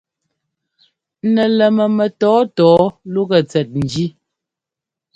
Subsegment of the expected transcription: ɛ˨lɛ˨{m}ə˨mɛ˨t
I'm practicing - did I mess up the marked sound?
no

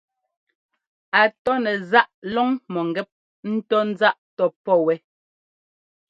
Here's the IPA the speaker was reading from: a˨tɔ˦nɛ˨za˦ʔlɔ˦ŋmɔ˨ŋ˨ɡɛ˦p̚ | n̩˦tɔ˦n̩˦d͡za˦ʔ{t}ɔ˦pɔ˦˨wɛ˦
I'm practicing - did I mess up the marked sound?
no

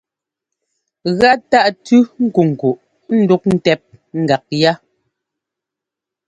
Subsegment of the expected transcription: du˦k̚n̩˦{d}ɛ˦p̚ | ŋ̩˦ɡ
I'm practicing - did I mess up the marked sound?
yes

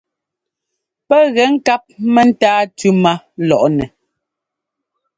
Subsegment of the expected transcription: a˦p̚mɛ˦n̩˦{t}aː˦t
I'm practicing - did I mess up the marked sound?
no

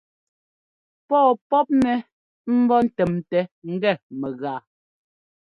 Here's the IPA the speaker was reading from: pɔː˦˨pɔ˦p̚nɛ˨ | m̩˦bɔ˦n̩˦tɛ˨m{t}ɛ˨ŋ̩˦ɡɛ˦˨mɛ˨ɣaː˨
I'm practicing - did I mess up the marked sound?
no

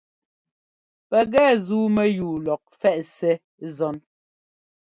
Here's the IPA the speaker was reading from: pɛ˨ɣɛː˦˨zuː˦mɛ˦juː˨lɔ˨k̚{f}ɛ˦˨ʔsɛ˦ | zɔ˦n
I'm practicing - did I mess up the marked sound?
no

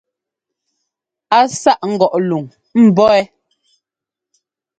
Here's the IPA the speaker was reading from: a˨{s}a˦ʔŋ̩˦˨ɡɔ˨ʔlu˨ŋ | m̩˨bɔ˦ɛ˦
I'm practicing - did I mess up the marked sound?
no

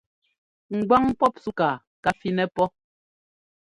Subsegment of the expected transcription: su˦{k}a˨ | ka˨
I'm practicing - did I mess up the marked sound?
no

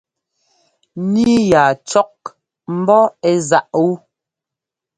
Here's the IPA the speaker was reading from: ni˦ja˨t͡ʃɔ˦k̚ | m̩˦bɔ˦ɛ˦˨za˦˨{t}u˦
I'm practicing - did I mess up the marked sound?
yes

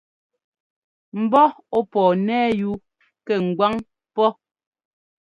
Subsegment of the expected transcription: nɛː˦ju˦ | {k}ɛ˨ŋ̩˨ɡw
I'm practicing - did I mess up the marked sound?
no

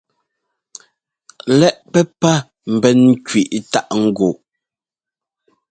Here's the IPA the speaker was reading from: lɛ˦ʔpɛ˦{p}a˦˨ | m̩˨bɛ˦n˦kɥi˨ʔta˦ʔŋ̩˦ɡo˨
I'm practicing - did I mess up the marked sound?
no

